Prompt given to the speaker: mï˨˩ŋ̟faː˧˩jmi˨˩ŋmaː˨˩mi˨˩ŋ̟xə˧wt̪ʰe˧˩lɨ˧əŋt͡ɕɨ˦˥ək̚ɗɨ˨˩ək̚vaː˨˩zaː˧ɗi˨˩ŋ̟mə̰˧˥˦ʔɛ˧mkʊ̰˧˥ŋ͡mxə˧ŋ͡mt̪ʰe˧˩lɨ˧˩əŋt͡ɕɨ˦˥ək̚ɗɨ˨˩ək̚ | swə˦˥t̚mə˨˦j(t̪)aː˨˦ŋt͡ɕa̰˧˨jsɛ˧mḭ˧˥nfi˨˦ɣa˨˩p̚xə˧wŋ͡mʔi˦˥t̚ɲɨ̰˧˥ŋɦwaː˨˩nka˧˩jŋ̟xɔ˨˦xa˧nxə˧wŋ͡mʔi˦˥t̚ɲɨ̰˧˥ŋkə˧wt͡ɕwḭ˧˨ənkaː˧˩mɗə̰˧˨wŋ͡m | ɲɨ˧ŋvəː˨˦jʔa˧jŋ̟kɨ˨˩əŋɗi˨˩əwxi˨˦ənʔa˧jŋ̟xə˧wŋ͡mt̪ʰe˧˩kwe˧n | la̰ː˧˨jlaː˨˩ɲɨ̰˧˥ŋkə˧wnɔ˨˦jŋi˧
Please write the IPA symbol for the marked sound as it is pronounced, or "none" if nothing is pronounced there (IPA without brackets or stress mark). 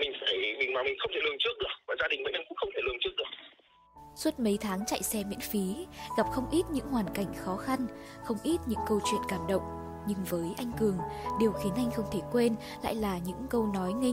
t̪ʰ